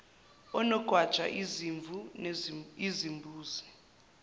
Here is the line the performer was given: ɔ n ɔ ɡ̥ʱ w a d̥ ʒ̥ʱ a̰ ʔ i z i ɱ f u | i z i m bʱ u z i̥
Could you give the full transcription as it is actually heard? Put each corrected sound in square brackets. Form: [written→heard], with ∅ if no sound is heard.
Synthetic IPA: ɔ n ɔ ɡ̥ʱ w a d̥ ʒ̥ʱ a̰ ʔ i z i ɱ [f→v] u | i z i m bʱ [u→uː] z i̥